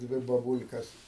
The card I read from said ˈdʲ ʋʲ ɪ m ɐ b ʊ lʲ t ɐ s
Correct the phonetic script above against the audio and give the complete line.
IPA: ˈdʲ ʋʲ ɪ b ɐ b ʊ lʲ k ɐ s

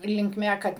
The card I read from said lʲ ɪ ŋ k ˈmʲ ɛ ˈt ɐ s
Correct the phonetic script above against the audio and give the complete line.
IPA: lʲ ɪ ŋ k ˈmʲ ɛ ˈk ɐ t

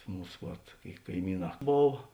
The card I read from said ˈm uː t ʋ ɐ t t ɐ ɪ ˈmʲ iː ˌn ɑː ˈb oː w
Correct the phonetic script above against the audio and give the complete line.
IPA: ˈm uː s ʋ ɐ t k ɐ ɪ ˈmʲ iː ˌn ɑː ˈb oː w

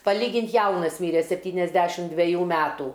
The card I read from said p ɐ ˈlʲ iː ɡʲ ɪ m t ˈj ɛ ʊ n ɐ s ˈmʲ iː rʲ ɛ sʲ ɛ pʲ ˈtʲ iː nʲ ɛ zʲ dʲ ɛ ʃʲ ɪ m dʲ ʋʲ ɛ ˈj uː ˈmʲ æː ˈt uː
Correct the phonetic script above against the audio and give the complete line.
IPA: p ɐ ˈlʲ iː ɡʲ ɪ n t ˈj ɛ ʊ n ɐ s ˈmʲ iː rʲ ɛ sʲ ɛ pʲ ˈtʲ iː nʲ ɛ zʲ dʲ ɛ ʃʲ ɪ m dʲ ʋʲ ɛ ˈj uː ˈmʲ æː ˈt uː

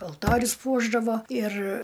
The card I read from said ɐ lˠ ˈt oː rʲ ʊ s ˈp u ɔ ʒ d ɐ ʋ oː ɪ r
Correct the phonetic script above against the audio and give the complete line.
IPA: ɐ lˠ ˈt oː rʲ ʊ s ˈp u ɔ ʒ d ɐ ʋ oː ɪ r

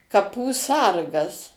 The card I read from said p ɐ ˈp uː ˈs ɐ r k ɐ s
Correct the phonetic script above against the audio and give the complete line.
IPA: k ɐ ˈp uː ˈs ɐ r ɡ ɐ s

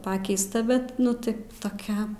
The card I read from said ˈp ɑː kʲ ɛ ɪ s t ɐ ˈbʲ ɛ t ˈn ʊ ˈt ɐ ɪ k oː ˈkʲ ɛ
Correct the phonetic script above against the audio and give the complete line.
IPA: ˈp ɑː kʲ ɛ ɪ s t ɐ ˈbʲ ɛ t ˈn ʊ ˈt ɐ ɪ t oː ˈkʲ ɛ

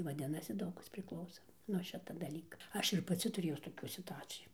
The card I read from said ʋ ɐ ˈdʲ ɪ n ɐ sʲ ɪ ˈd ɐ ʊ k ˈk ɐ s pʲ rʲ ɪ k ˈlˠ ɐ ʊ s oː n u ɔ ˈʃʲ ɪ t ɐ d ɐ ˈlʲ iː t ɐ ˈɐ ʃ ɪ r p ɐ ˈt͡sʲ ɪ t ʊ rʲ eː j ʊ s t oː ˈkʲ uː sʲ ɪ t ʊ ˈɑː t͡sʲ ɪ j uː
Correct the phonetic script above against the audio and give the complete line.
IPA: ʋ ɐ ˈdʲ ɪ n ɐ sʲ ɪ ˈd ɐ ʊ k ˈk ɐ s pʲ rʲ ɪ k ˈlˠ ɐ ʊ s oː n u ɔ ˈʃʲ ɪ t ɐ d ɐ ˈlʲ iː k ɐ ˈɐ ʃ ɪ r p ɐ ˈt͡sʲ ɪ t ʊ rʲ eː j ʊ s t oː ˈkʲ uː sʲ ɪ t ʊ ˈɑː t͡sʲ ɪ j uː

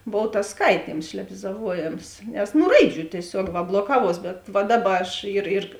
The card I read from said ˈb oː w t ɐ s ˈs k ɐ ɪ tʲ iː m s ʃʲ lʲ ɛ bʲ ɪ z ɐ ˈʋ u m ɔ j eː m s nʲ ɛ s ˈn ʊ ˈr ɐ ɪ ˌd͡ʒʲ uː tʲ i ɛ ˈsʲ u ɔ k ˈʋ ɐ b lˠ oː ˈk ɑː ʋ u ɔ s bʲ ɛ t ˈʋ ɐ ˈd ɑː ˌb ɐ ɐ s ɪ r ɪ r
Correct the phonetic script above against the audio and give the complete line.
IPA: ˈb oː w t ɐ s ˈs k ɐ ɪ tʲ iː m s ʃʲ lʲ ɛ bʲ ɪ z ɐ ˈʋ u ɔ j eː m s nʲ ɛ s ˈn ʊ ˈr ɐ ɪ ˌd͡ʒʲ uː tʲ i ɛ ˈsʲ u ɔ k ˈʋ ɐ b lˠ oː ˈk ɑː ʋ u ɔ s bʲ ɛ t ˈʋ ɐ ˈd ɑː ˌb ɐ ɐ ʃ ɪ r ɪ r

